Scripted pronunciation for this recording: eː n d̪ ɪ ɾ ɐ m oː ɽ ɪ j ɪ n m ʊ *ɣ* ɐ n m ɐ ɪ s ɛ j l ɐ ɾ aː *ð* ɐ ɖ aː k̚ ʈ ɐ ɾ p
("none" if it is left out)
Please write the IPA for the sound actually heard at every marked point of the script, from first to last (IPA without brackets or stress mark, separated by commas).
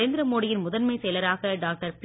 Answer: ð, ɣ